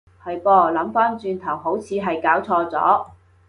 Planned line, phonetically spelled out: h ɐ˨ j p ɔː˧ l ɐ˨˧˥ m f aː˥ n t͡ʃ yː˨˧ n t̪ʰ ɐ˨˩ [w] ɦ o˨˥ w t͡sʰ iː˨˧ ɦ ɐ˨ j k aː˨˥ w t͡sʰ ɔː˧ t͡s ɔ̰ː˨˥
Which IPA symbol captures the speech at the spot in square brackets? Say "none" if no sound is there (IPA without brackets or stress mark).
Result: w